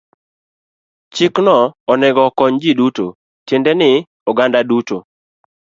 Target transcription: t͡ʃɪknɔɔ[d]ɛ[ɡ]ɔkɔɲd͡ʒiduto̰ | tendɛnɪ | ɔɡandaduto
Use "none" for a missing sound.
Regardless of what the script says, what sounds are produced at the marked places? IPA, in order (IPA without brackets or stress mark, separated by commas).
n, ɡ